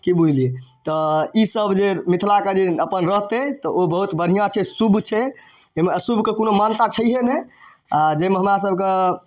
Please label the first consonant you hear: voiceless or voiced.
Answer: voiceless